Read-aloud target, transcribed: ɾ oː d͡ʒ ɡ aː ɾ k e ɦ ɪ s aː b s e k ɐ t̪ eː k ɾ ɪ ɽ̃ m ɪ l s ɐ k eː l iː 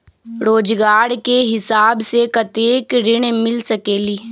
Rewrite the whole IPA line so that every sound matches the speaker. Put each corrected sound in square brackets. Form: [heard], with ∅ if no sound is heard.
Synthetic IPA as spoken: ɾ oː d͡ʒ ɡ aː ɾ k e ɦ ɪ s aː b s e k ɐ t̪ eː k ɾ ɪ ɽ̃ m ɪ l s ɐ k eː l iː